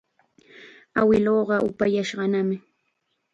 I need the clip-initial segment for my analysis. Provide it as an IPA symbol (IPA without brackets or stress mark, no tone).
a